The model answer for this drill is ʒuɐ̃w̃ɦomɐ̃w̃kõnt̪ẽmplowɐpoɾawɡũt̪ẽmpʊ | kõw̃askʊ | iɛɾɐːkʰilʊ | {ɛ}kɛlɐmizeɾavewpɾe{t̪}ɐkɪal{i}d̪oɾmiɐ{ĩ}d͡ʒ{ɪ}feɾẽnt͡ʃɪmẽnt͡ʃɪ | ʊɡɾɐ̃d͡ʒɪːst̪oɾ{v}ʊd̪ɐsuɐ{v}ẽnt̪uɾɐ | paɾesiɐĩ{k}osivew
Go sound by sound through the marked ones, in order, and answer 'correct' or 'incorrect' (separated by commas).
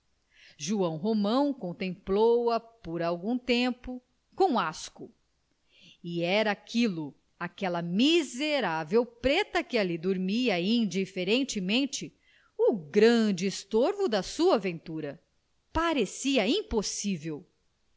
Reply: incorrect, correct, correct, correct, incorrect, correct, correct, incorrect